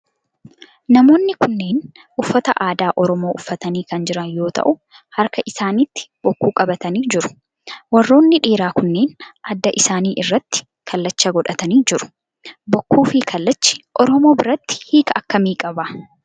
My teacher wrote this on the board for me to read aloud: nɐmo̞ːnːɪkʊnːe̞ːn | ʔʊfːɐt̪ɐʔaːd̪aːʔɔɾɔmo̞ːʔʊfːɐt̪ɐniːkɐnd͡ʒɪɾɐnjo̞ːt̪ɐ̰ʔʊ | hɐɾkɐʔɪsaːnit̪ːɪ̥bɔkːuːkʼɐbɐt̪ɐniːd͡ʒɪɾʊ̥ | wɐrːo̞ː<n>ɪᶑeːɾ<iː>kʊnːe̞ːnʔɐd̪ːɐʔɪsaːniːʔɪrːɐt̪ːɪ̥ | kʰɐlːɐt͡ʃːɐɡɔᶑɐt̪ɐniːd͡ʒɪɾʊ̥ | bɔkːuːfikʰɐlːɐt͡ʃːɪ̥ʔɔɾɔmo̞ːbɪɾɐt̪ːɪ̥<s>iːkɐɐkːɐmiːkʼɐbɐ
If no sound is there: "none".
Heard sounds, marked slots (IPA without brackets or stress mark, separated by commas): nː, aː, h